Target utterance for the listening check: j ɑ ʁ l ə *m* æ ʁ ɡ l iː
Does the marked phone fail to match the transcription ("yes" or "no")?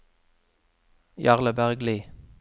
yes